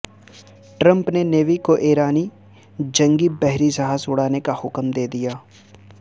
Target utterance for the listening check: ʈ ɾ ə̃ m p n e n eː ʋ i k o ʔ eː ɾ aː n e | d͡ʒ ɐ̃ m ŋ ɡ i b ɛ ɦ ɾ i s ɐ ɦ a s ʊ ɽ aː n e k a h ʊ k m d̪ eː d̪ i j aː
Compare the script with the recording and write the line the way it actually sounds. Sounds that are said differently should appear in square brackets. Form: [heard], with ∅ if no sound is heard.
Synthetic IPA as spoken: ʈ ɾ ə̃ m p n e n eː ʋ i k o ʔ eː ɾ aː n [i] | d͡ʒ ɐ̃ [∅] ŋ ɡ i b ɛ ɦ ɾ i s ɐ ɦ a s ʊ ɽ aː n e k a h ʊ k m d̪ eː d̪ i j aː